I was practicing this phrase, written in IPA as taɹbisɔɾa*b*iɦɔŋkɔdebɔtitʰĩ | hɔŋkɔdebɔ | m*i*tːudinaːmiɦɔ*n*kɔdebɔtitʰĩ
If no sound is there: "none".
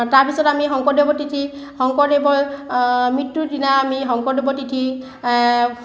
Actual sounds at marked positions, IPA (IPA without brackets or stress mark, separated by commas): m, i, ŋ